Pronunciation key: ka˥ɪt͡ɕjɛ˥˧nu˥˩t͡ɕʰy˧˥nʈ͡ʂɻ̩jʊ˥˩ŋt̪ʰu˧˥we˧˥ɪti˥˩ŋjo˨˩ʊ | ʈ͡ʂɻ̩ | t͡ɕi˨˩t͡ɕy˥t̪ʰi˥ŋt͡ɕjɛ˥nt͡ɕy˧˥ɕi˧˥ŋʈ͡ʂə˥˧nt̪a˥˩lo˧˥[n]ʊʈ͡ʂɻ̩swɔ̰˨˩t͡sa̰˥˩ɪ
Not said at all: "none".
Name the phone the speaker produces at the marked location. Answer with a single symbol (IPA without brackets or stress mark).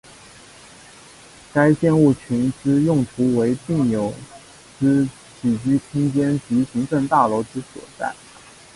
none